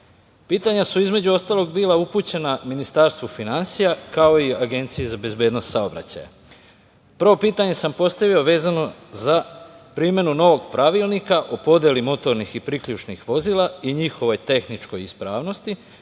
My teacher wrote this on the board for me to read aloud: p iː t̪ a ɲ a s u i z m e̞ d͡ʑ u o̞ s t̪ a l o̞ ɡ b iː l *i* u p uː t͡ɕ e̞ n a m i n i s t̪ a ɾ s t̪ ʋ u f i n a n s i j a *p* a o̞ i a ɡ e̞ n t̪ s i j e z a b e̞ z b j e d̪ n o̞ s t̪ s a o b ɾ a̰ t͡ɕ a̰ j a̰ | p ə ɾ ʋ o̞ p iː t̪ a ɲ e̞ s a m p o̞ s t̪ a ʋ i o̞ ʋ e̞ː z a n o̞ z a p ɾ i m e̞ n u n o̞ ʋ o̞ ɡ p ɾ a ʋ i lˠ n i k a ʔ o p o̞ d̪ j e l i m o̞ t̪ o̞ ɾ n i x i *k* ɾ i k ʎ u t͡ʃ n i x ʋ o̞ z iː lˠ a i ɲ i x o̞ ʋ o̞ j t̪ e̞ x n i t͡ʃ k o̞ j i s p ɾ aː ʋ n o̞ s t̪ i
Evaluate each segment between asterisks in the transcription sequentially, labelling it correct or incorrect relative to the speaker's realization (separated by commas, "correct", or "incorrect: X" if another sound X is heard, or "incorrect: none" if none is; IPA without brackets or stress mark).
incorrect: a, incorrect: k, incorrect: p